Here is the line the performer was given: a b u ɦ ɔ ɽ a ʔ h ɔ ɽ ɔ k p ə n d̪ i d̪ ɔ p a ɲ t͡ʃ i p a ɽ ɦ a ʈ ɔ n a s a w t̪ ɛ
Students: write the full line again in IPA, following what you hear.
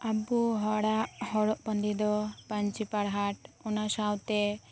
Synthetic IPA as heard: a b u ɦ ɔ ɽ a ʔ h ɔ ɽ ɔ ʔ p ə n d̪ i d̪ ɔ p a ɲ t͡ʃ i p a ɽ ɦ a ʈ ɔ n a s a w t̪ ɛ